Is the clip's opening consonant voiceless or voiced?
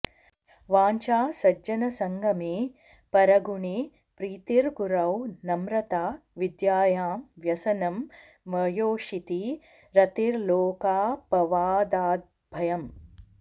voiced